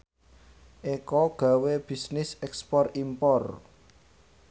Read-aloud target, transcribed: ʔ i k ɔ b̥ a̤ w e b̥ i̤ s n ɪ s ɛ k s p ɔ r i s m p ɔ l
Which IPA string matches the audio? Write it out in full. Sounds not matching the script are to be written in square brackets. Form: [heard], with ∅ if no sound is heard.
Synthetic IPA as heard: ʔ [e] k ɔ [ɡ̥] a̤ w e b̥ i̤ s n ɪ s ɛ k s p ɔ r i [∅] m p ɔ [r]